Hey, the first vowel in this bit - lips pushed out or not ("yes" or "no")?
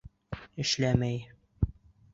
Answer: no